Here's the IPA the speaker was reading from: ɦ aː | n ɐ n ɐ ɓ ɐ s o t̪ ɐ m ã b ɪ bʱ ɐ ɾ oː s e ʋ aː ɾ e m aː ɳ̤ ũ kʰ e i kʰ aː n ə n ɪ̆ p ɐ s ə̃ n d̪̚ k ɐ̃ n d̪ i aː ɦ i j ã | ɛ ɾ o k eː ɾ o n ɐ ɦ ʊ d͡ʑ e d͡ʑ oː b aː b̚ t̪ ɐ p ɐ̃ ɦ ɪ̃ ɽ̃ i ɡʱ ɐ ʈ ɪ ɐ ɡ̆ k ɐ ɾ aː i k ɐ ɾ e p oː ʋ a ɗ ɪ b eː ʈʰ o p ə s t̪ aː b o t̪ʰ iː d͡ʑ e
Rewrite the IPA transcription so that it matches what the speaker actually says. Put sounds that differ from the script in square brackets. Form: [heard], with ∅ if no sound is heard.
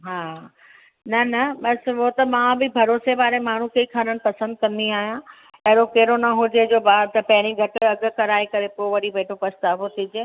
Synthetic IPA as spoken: ɦ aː | n ɐ n ɐ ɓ ɐ s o t̪ ɐ m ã b ɪ bʱ ɐ ɾ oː s e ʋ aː ɾ e m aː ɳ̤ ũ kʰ e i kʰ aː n ə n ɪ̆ p ɐ s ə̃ n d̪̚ k ɐ̃ n d̪ i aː ɦ i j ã | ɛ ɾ o k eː ɾ o n ɐ ɦ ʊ d͡ʑ e d͡ʑ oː b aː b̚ t̪ ɐ p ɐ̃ ɦ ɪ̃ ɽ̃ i ɡʱ ɐ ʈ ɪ ɐ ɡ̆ k ɐ ɾ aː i k ɐ ɾ e p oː ʋ [ɐ] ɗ [i] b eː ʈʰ o p [ɐ] s t̪ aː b o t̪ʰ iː d͡ʑ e

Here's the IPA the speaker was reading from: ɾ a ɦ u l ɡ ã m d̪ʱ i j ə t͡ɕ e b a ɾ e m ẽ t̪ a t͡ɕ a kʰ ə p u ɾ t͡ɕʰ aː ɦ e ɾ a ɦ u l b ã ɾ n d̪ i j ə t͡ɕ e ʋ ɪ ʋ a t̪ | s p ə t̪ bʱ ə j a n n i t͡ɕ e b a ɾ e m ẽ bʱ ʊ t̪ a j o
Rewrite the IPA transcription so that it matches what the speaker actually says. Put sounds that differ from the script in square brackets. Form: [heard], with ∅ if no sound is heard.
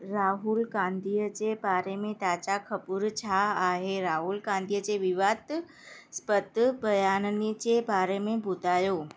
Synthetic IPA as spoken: ɾ a ɦ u l ɡ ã [n] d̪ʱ i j ə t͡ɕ e b a ɾ e m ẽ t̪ a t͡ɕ a kʰ ə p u ɾ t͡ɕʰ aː ɦ e ɾ a ɦ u l [ɡ] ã [∅] n d̪ i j ə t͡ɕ e ʋ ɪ ʋ a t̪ | s p ə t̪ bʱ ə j a n n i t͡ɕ e b a ɾ e m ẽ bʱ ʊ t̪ a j o

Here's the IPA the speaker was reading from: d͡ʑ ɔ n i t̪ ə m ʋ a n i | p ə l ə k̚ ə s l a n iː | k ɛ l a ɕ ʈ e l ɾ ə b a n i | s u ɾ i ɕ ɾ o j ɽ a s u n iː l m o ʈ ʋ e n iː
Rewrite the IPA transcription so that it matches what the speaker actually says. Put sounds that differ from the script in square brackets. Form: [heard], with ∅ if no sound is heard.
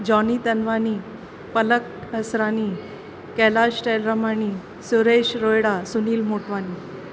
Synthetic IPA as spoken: d͡ʑ ɔ n i t̪ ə [n] ʋ a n i | p ə l ə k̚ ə s [ɾ] a n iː | k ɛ l a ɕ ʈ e l ɾ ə [m] a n i | s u ɾ [e] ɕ ɾ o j ɽ a s u n iː l m o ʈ ʋ [a] n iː

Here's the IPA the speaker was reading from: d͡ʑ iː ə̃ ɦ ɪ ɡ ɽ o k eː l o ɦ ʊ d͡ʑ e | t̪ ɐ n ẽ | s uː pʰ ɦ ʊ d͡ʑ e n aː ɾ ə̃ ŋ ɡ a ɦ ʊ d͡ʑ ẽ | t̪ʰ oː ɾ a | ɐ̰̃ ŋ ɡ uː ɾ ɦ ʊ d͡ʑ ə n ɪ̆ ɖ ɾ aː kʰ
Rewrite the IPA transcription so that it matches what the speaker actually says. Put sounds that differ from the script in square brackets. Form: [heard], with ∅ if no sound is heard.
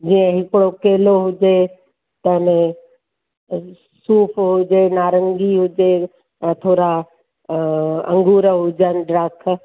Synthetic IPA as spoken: d͡ʑ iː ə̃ ɦ ɪ [k] ɽ o k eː l o ɦ ʊ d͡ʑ e | t̪ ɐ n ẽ | s uː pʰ ɦ ʊ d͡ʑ e n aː ɾ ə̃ ŋ ɡ [i] ɦ ʊ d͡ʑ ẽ | t̪ʰ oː ɾ a | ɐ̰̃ ŋ ɡ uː ɾ ɦ ʊ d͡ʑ ə n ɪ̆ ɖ ɾ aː kʰ

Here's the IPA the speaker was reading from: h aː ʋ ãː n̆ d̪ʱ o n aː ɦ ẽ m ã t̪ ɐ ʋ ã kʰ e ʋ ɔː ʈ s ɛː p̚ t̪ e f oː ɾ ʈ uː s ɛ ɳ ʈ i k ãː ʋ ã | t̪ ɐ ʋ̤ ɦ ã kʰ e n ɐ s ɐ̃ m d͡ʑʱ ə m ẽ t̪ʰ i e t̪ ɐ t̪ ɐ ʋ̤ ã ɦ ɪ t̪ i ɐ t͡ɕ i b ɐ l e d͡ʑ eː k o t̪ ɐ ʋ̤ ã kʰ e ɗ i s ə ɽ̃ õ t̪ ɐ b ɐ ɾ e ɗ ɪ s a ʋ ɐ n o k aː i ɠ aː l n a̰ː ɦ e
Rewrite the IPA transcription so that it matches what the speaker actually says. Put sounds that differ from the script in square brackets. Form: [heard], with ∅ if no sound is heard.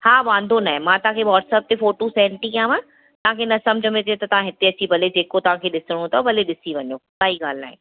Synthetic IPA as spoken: h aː ʋ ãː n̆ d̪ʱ o n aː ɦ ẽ m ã t̪ ɐ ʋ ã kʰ e ʋ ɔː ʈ s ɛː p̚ t̪ e f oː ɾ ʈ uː s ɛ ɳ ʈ i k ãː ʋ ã | t̪ ɐ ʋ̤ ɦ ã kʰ e n ɐ s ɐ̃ m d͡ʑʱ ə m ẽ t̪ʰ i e t̪ ɐ t̪ ɐ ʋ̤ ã ɦ ɪ t̪ [e] ɐ t͡ɕ i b ɐ l e d͡ʑ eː k o t̪ ɐ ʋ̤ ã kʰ e ɗ [ɪ] s ə ɽ̃ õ t̪ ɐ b ɐ [l] e ɗ ɪ s [i] ʋ ɐ [ɲ] o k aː i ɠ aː l n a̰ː ɦ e

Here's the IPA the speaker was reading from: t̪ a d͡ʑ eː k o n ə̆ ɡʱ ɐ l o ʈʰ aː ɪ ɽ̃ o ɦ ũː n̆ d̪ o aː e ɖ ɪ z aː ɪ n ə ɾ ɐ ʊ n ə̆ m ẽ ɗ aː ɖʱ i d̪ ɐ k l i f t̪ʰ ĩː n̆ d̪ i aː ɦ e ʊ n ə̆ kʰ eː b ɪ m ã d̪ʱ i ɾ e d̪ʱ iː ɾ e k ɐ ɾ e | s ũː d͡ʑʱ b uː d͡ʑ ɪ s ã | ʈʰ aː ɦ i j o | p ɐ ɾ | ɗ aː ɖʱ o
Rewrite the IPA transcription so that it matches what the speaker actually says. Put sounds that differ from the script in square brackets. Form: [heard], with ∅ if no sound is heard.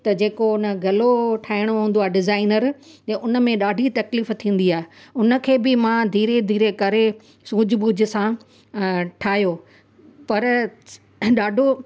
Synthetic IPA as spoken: t̪ [ɐ] d͡ʑ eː k o n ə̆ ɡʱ ɐ l o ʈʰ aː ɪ ɽ̃ o ɦ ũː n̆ d̪ o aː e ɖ ɪ z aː ɪ n ə ɾ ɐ ʊ n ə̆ m ẽ ɗ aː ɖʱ i [t̪] ɐ k l [iː] f t̪ʰ ĩː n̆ d̪ i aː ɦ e ʊ n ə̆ kʰ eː b ɪ m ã d̪ʱ [iː] ɾ e d̪ʱ iː ɾ e k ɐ ɾ e | s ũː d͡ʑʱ b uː d͡ʑ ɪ s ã | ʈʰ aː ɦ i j o | p ɐ ɾ | ɗ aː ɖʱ o

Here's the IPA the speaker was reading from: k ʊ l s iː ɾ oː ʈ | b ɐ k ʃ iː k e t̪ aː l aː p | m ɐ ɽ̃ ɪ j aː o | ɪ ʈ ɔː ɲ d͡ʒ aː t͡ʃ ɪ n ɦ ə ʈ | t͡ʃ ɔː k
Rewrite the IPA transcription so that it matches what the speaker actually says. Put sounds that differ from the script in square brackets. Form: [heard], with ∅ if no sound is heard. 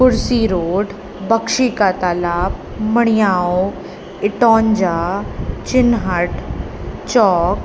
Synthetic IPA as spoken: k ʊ [ɾ] s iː ɾ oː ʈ | b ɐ k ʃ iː k [a] t̪ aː l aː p | m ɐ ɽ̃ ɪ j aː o | ɪ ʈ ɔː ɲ d͡ʒ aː t͡ʃ ɪ n ɦ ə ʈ | t͡ʃ ɔː k

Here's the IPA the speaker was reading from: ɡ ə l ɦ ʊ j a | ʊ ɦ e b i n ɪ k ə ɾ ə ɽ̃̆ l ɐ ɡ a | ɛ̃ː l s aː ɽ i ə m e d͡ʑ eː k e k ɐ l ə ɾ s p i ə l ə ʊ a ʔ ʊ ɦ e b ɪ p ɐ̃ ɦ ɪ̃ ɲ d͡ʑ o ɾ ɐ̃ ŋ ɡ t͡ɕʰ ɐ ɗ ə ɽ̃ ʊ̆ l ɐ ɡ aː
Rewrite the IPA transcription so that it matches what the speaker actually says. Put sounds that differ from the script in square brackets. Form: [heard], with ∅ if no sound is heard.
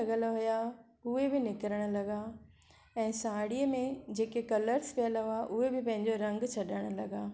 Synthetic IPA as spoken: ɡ ə l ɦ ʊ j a | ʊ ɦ e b [ɪ] n ɪ k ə ɾ ə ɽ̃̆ l ɐ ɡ a | ɛ̃ː [∅] s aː ɽ i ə m [ẽ] d͡ʑ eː k e k ɐ l ə ɾ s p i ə l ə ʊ a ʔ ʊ ɦ e b ɪ p ɐ̃ ɦ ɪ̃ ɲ d͡ʑ o ɾ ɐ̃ ŋ ɡ t͡ɕʰ ɐ ɗ ə ɽ̃ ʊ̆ l ɐ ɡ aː

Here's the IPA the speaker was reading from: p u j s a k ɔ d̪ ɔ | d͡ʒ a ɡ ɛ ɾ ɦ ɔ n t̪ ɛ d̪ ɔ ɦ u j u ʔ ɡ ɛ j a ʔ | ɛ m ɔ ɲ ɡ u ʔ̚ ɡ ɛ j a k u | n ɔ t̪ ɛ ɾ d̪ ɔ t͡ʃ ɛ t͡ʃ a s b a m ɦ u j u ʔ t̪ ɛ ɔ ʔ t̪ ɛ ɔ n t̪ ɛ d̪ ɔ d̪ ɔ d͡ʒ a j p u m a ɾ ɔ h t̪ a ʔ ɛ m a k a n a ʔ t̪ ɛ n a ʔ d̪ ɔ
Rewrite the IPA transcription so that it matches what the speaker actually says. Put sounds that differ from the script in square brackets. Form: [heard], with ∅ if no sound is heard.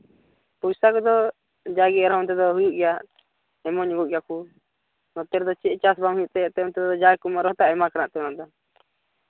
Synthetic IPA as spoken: p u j s a k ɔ d̪ ɔ | d͡ʒ a ɡ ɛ ɾ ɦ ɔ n t̪ ɛ d̪ ɔ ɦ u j u ʔ ɡ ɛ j a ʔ | ɛ m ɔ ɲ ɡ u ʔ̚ ɡ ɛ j a k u | n ɔ t̪ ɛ ɾ d̪ ɔ t͡ʃ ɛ t͡ʃ a s b a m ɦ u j u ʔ t̪ ɛ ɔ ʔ t̪ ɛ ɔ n t̪ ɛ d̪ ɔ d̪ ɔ d͡ʒ a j [k] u m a ɾ ɔ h t̪ a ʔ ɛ m a k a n a ʔ t̪ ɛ n a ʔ d̪ ɔ

